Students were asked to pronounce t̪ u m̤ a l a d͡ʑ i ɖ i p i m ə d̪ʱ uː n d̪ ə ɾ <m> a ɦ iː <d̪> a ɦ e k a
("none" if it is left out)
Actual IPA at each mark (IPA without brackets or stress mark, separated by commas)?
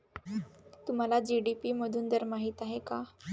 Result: m, t̪